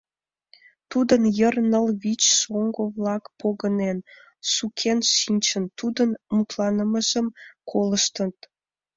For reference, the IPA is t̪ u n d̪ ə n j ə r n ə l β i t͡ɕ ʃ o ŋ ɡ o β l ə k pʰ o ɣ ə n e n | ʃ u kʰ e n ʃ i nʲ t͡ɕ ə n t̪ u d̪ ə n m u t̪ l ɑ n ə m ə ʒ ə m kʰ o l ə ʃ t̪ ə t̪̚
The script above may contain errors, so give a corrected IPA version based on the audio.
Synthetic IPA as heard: t̪ u d̪ ə n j ə r n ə l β i t͡ɕ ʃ o ŋ ɡ o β l ɑ k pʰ o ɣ ə n e n | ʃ u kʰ e n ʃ i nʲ t͡ɕ ə n t̪ u d̪ ə n m u t̪ l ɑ n ə m ə ʒ ə m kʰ o l ə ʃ t̪ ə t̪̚